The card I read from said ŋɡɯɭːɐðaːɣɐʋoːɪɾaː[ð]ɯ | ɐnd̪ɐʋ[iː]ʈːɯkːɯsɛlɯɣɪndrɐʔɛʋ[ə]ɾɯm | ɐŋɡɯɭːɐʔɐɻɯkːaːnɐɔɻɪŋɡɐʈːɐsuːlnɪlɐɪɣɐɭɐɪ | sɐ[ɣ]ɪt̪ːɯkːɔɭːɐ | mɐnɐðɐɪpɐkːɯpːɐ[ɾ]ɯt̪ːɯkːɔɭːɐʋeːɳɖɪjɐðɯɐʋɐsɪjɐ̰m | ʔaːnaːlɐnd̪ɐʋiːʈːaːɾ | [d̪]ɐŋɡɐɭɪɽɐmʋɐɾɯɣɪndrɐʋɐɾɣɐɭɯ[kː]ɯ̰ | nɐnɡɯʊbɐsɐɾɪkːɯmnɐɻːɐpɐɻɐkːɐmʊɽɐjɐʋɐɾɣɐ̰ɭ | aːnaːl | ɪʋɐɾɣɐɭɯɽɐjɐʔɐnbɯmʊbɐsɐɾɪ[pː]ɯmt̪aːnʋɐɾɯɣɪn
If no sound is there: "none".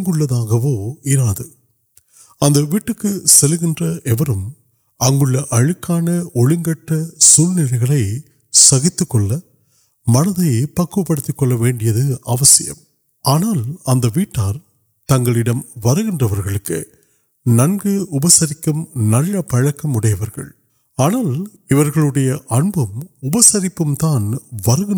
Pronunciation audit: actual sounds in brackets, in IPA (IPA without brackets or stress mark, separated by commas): ð, iː, ɐ, ɣ, ɽ, t̪, kː, pː